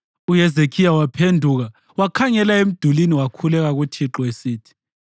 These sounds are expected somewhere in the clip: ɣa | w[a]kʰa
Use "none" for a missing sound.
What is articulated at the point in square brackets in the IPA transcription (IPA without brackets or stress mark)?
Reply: a